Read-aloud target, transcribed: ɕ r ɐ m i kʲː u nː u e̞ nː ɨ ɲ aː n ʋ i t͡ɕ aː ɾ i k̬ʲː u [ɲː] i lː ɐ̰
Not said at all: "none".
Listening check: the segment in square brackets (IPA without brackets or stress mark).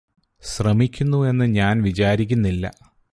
nː